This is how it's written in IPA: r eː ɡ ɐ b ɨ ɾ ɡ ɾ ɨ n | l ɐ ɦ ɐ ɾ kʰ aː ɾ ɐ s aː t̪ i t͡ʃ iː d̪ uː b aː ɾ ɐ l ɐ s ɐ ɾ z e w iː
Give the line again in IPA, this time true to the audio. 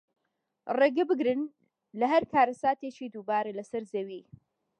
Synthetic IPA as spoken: r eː ɡ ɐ b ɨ ɡ ɾ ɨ n | l ɐ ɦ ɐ ɾ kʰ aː ɾ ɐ s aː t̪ e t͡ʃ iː d̪ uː b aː ɾ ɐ l ɐ s ɐ ɾ z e w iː